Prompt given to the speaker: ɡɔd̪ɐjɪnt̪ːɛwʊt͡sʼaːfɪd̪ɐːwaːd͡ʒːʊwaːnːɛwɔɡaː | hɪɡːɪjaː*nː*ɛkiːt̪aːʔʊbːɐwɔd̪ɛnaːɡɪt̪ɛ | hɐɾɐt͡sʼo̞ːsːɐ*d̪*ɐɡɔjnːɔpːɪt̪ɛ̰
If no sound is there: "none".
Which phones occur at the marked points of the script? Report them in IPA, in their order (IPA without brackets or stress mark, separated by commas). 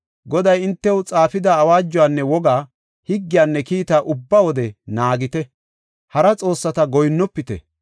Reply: nː, t̪